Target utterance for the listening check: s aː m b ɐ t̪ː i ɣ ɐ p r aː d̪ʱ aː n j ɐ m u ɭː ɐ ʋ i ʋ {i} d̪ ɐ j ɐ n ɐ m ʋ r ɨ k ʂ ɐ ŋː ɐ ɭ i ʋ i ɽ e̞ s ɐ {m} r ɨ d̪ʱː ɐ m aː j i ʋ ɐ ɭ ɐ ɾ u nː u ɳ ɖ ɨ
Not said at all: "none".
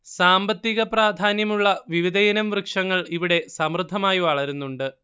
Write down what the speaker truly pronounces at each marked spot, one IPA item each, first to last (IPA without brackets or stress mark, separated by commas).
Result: i, m